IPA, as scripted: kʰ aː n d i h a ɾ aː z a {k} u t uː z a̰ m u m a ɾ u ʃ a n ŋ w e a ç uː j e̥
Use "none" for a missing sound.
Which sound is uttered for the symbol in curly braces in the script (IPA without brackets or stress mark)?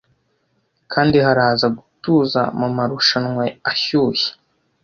ɡ